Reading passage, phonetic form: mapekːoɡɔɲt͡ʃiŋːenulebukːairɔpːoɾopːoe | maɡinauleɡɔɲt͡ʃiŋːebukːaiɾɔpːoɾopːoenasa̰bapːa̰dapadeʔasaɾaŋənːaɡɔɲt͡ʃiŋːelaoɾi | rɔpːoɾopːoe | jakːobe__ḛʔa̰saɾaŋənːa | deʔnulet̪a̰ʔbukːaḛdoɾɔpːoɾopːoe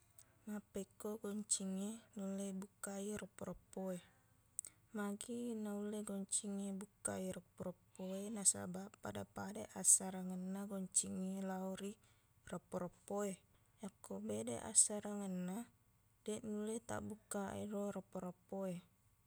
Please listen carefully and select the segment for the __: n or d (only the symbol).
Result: d